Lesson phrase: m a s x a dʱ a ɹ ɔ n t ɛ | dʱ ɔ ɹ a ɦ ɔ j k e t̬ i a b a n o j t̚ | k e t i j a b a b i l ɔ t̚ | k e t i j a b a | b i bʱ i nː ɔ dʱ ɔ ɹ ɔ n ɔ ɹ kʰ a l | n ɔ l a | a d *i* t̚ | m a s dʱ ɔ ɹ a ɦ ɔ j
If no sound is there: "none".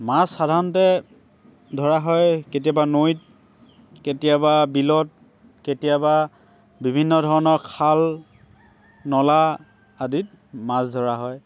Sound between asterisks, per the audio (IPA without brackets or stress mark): i